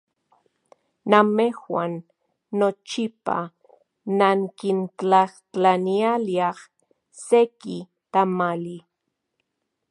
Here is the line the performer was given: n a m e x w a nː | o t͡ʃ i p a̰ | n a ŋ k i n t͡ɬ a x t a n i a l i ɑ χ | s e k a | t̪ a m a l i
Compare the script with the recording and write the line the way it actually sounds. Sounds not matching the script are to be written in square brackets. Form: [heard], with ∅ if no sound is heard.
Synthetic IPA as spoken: n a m e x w a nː | o t͡ʃ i p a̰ | n a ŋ k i n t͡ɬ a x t a n i a l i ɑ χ | s e k [i] | t̪ a m a l i

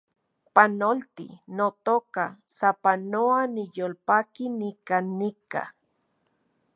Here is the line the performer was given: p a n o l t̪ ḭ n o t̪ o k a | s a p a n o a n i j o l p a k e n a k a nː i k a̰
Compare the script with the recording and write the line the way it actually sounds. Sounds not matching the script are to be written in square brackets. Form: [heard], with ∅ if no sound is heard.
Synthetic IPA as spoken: p a n o l t̪ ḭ n o t̪ o k a | s a p a n o a n i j o l p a k [i] n [i] k a nː i k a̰

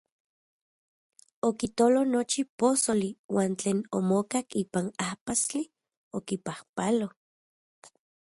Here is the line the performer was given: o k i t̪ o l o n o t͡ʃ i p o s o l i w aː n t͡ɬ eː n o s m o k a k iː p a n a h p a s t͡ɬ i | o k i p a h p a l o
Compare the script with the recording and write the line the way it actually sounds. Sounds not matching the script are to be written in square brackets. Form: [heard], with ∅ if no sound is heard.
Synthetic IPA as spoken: o k i t̪ o l o n o t͡ʃ i p o s o l i w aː n t͡ɬ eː n o [∅] m o k a k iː p a n a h p a s t͡ɬ i | o k i p a h p a l o

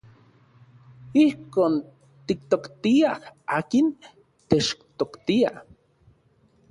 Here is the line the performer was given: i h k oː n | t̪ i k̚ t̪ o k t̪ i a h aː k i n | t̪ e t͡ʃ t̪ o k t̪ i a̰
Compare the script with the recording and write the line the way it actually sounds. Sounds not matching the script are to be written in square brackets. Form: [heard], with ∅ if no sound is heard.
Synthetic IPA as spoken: i h k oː n | t̪ i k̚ t̪ o k t̪ i a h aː k i n | t̪ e t͡ʃ t̪ o k t̪ i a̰

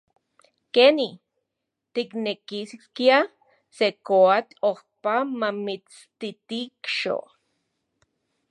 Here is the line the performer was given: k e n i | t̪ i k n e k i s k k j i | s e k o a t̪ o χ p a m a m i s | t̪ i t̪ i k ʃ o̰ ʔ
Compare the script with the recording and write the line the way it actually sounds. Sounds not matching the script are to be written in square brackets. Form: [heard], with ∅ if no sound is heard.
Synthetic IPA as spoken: k e n i | t̪ i k n e k i s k k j [a] | s e k o a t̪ o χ p a m a m i [t͡s] | t̪ i t̪ i k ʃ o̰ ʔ

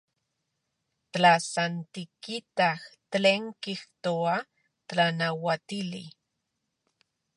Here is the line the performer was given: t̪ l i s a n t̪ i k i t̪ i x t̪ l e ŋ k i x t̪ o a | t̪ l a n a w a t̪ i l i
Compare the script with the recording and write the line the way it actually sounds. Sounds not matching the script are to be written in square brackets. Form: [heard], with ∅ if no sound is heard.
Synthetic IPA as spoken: t̪ l [a] s a n t̪ i k i t̪ [a] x t̪ l e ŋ k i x t̪ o a | t̪ l a n a w a t̪ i l i

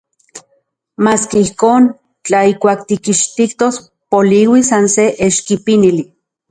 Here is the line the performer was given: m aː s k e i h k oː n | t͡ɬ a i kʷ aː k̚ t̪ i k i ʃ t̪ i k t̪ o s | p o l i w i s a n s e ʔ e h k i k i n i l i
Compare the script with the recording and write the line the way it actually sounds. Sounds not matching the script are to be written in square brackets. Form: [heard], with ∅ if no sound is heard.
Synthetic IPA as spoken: m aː s k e i h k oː n | t͡ɬ a i kʷ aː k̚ t̪ i k i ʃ t̪ i k t̪ o s | p o l i w i s a n s e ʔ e [ʃ] k i [p] i n i l i

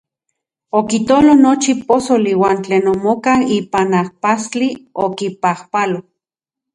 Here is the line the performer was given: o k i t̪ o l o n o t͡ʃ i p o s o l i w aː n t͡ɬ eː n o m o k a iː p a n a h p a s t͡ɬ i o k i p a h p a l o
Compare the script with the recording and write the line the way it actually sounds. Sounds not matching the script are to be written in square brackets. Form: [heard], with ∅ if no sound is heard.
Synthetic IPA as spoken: o k i t̪ o l o n o t͡ʃ i p o s o l i w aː n t͡ɬ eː n o m o k a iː p a n a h p a s t͡ɬ i o k i p a h p a l o

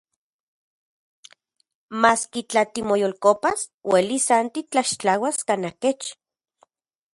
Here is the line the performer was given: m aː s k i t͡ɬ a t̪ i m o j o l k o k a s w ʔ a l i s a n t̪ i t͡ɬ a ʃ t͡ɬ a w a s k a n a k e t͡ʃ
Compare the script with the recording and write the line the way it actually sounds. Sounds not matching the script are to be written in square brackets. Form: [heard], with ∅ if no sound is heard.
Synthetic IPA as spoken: m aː s k i t͡ɬ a t̪ i m o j o l k o [p] a s w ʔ [e] l i s a n t̪ i t͡ɬ a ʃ t͡ɬ a w a s k a n a k e t͡ʃ

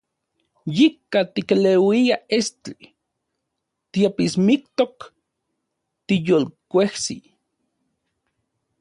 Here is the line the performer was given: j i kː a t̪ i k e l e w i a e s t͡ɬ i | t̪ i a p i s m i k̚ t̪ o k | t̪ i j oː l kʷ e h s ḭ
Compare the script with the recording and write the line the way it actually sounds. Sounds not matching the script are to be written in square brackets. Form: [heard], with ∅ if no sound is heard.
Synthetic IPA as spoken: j i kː a t̪ i k e l e w i a e s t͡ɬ i | t̪ i a p i s m i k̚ t̪ o k | t̪ i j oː l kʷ e h s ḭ

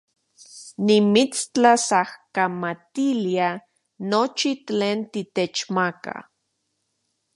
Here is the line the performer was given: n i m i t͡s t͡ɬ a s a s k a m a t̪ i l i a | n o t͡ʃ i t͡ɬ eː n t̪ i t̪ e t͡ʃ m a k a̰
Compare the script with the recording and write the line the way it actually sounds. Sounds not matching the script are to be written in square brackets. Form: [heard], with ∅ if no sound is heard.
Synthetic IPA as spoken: n i m i t͡s t͡ɬ a s a [h] k a m a t̪ i l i a | n o t͡ʃ i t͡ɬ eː n t̪ i t̪ e t͡ʃ m a k a̰

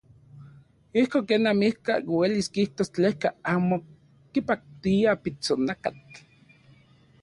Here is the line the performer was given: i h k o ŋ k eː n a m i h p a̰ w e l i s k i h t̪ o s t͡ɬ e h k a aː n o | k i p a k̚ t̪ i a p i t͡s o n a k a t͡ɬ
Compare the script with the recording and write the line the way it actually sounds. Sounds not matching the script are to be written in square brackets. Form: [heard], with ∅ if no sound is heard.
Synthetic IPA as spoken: i h k o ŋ k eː n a m i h [k] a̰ w e l i s k i h t̪ o s t͡ɬ e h k a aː [m] o | k i p a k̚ t̪ i a p i t͡s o n a k a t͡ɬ

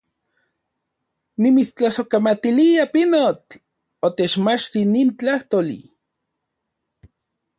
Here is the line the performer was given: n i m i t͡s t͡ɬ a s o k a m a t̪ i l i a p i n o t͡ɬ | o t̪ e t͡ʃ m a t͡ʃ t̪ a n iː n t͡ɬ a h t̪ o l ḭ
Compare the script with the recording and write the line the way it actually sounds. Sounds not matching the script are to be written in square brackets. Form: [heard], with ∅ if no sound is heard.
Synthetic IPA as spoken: n i m i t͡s t͡ɬ a s o k a m a t̪ i l i a p i n o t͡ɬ | o t̪ e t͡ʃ m a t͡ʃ t̪ [i] n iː n t͡ɬ a h t̪ o l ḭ

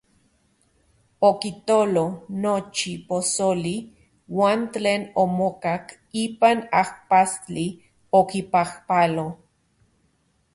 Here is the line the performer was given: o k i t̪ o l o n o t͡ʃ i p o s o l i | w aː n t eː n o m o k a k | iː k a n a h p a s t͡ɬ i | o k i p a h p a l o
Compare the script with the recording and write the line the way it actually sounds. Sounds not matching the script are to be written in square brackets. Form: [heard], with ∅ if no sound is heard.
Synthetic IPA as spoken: o k i t̪ o l o n o t͡ʃ i p o s o l i | w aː n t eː n o m o k a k | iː [p] a n a h p a s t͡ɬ i | o k i p a h p a l o

